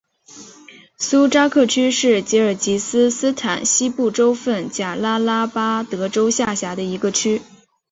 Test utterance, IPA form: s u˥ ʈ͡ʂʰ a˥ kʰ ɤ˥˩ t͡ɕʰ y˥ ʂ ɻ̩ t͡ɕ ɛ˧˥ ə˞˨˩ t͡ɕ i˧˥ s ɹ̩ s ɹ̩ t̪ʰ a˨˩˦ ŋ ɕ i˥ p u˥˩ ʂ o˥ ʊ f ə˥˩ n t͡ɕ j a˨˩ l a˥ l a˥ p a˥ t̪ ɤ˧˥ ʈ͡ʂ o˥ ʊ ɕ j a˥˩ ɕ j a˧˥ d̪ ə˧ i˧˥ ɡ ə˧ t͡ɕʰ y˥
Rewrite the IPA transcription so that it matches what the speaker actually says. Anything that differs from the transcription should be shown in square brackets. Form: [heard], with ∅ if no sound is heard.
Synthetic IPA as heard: s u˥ [ʈ͡ʂ] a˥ kʰ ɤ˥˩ t͡ɕʰ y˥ ʂ ɻ̩ t͡ɕ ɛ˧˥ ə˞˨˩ t͡ɕ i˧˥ s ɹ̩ s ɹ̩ t̪ʰ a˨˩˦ [n] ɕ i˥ p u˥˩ [ʈ͡ʂ] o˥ ʊ f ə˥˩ n t͡ɕ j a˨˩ l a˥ l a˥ p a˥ t̪ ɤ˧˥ ʈ͡ʂ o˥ ʊ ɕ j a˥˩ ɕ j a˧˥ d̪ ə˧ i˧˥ ɡ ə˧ t͡ɕʰ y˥

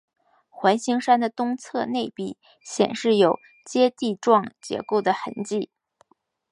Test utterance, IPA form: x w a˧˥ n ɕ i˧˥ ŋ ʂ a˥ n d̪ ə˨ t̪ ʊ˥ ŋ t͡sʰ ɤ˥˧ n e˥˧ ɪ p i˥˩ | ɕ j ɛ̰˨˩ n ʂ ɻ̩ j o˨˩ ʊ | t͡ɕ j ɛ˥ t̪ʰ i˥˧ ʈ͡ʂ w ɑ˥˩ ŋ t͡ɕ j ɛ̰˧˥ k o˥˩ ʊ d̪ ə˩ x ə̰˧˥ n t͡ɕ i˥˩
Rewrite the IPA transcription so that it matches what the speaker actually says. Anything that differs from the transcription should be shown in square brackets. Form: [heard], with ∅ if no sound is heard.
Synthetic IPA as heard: x w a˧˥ n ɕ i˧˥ ŋ ʂ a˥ n d̪ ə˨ t̪ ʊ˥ ŋ t͡sʰ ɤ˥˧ n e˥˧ ɪ p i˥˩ | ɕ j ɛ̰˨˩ n ʂ ɻ̩ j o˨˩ ʊ | t͡ɕ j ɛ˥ [t̪] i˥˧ ʈ͡ʂ w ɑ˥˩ ŋ t͡ɕ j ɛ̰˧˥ k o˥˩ ʊ d̪ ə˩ x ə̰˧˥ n t͡ɕ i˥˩

